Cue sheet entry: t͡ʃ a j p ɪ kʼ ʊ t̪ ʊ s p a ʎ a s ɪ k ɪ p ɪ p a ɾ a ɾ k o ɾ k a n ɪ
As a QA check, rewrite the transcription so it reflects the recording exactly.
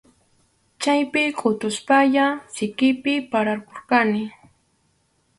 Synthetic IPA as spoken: t͡ʃ a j p ɪ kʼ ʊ t̪ ʊ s p a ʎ a s ɪ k ɪ p ɪ p a ɾ a ɾ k o ɾ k a n ɪ